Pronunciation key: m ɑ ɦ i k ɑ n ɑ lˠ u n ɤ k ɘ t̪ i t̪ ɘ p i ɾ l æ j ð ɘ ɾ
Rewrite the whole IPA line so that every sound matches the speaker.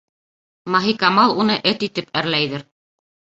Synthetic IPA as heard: m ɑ ɦ i k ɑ m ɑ lˠ u n ɤ ʔ ɘ t̪ i t̪ ɘ p æ ɾ l æ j ð ɘ ɾ